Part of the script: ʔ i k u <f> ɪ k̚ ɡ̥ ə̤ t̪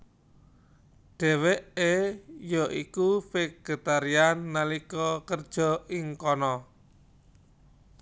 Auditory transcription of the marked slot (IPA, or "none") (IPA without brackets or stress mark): f